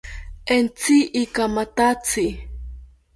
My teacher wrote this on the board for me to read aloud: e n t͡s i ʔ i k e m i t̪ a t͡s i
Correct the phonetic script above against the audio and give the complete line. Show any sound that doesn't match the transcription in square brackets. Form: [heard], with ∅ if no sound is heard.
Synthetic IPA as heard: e n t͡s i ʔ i k [a] m [a] t̪ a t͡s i